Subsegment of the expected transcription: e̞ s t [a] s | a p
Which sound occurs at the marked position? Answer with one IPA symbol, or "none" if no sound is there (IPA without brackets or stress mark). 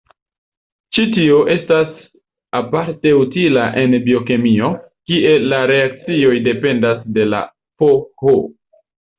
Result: a